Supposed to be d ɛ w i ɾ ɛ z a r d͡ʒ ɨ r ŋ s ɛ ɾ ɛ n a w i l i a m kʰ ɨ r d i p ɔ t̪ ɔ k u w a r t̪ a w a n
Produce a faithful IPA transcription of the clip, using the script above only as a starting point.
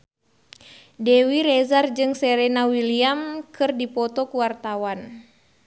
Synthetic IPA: d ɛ w i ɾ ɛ z a r d͡ʒ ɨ ŋ s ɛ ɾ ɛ n a w i l i a m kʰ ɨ r d i p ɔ t̪ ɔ k u w a r t̪ a w a n